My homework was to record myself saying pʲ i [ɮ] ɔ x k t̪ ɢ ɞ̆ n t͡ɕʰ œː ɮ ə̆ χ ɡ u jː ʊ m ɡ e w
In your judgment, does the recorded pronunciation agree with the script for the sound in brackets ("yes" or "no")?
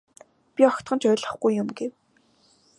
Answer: no